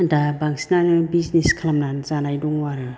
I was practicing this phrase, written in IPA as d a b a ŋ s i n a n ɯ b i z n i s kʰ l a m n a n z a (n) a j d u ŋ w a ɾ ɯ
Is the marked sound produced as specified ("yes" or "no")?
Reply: yes